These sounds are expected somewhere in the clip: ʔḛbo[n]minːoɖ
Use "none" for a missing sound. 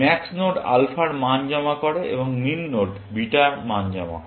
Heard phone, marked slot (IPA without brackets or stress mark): ŋ